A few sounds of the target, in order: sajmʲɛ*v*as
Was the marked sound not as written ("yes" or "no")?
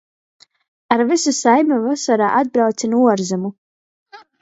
no